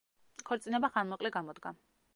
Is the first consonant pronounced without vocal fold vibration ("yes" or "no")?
yes